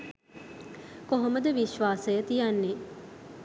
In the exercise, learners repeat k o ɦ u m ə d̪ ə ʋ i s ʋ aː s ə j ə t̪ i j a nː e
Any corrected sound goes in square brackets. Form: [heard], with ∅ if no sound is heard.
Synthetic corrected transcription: k o ɦ [o] m ə d̪ ə ʋ i [ʃ] ʋ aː s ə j ə t̪ i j a nː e

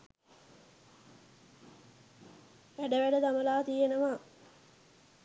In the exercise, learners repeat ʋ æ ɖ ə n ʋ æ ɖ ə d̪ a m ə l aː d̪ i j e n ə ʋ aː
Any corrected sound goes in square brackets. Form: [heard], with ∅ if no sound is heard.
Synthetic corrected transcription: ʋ æ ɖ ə [∅] ʋ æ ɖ ə d̪ a m ə l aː [t̪] i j e n ə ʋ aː

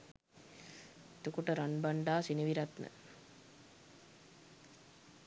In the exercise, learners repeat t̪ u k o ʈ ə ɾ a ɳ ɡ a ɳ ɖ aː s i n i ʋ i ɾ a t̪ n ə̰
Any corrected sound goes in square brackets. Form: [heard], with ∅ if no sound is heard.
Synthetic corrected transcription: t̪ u k [u] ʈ ə ɾ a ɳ [b] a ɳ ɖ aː s i n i ʋ i ɾ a t̪ n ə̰

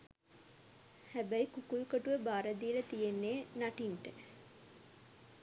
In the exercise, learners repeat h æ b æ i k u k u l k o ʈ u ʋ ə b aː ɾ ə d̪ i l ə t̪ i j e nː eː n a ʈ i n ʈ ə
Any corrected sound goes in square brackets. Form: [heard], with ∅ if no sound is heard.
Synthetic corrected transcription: h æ b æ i k u k u l k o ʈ u ʋ ə b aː ɾ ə d̪ i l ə t̪ i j e nː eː n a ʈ i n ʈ ə

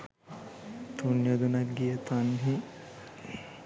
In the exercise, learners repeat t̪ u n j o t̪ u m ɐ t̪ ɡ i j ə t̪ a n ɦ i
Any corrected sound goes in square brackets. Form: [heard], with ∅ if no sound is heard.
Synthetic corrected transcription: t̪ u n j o [d̪] u [n] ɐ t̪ ɡ i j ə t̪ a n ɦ i

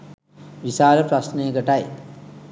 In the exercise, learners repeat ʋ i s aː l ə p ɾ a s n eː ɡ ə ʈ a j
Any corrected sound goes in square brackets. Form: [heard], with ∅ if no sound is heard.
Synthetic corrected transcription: ʋ i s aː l ə p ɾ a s n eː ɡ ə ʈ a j

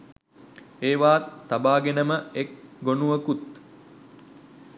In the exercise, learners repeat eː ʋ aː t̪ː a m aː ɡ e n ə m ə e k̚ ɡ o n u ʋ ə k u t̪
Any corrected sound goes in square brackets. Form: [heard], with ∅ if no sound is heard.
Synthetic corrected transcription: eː ʋ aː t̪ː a [b] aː ɡ e n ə m ə e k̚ ɡ o n u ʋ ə k u t̪

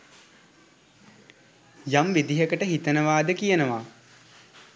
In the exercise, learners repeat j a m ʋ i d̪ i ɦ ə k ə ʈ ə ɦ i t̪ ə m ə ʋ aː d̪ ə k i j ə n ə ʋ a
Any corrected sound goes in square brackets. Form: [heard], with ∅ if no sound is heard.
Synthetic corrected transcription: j a m ʋ i d̪ i ɦ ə k ə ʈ ə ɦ i t̪ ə [n] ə ʋ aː d̪ ə k i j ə n ə ʋ a

